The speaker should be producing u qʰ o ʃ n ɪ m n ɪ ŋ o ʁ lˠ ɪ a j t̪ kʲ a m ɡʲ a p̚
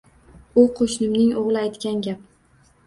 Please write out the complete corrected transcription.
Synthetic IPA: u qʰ o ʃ n ɪ m n ɪ ŋ o ʁ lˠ ɪ a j t̪ kʲ a n ɡʲ a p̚